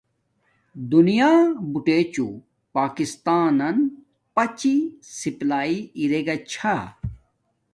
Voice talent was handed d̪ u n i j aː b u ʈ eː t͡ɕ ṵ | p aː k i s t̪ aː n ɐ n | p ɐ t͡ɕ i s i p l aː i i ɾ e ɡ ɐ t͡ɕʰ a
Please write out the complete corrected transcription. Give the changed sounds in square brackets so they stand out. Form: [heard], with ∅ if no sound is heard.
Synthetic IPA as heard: d̪ u n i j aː b u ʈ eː t͡ɕ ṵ | p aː k i s t̪ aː n ɐ n | p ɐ t͡ɕ i s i p l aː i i ɾ e ɡ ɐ t͡ɕʰ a